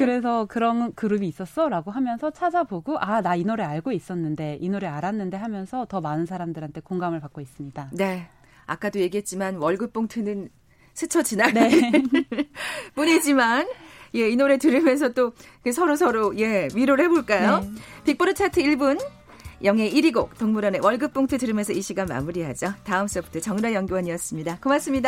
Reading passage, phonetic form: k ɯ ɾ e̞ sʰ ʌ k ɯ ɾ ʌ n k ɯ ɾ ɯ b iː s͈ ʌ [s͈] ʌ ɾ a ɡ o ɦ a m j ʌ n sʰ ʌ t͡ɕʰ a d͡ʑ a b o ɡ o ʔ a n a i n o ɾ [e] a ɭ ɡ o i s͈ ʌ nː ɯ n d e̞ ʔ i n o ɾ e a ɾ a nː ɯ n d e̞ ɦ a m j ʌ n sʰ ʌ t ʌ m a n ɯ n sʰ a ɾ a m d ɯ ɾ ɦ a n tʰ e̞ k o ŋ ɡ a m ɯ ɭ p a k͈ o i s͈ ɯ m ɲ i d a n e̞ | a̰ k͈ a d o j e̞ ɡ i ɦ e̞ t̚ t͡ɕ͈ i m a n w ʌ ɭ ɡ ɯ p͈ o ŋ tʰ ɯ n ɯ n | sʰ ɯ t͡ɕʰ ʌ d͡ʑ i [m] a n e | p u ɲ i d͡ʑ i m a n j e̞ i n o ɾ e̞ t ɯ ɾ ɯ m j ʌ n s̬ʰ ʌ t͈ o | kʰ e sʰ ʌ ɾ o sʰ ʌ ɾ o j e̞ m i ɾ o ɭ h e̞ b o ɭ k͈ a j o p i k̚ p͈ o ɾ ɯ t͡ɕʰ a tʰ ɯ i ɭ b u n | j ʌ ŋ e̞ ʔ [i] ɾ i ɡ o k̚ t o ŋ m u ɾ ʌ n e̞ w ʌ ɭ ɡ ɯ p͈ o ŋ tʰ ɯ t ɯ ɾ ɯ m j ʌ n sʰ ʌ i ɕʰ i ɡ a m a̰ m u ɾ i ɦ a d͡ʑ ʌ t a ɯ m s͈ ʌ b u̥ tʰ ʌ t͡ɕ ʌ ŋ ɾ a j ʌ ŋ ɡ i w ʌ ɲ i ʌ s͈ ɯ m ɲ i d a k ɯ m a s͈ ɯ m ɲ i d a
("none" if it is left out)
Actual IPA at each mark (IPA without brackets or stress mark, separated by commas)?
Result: s͈, e, n, i